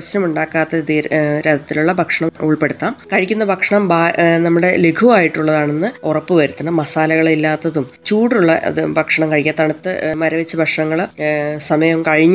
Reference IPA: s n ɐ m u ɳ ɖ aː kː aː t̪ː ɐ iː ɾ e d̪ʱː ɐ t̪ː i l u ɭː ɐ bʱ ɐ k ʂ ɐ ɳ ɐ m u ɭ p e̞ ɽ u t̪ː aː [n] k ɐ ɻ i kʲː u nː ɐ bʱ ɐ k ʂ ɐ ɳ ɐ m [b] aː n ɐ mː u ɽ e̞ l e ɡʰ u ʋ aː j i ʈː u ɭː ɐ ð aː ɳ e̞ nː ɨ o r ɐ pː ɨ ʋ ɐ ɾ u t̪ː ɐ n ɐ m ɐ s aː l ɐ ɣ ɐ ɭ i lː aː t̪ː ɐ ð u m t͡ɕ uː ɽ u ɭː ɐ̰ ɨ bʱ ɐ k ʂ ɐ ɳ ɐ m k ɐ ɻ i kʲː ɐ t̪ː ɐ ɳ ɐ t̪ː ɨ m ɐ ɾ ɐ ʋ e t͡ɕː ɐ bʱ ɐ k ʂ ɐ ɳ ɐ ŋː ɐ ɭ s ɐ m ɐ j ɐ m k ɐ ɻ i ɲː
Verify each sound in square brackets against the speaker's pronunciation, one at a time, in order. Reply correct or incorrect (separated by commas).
incorrect, correct